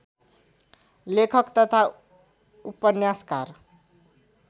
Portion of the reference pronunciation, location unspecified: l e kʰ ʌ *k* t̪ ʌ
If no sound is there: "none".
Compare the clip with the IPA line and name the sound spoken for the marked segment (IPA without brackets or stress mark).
k